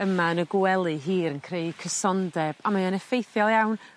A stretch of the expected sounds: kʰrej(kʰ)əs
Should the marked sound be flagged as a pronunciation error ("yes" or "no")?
no